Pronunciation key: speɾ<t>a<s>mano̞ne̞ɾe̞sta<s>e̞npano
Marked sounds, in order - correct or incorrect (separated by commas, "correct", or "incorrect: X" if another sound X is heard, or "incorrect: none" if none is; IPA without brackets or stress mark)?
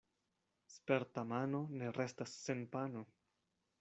correct, incorrect: none, incorrect: sː